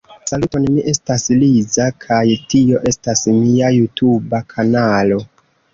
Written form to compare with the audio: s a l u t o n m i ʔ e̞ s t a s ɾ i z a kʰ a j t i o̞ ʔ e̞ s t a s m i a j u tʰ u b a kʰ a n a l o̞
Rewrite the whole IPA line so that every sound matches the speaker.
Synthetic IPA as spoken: s a l u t o n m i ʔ e̞ s t a s l i z a kʰ a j t i o̞ ʔ e̞ s t a s m i a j u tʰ u b a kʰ a n a l o̞